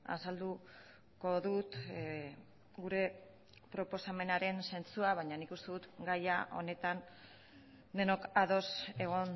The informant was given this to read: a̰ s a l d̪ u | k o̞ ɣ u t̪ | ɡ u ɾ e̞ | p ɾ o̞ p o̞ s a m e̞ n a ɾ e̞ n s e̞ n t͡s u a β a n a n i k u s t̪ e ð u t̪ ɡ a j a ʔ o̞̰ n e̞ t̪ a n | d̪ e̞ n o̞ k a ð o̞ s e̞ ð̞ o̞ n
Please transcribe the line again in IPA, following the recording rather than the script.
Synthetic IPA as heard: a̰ s a l d̪ u | k o̞ ð u t̪ | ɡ u ɾ e̞ | p ɾ o̞ p o̞ s a m e̞ n a ɾ e̞ n s e̞ n t͡s u a β a ɲ a n i k u s t̪ e ð u t̪ ɡ a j a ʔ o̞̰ n e̞ t̪ a n | d̪ e̞ n o̞ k a ð o̞ s e̞ ɣ̞ o̞ n